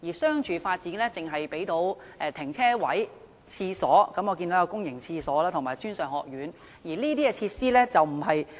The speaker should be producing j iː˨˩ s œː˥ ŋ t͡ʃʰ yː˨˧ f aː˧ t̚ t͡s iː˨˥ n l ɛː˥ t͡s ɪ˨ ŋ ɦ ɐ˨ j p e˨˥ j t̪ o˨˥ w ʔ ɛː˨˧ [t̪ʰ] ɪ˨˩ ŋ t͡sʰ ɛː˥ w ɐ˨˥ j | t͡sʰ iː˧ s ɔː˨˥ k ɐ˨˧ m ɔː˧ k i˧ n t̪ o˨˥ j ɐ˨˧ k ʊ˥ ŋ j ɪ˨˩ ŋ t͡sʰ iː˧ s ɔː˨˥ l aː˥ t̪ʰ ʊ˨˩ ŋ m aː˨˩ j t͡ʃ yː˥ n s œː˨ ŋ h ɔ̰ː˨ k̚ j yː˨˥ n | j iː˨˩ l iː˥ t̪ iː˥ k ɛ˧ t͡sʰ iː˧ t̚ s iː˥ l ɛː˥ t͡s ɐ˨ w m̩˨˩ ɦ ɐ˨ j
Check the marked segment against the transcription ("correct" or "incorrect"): correct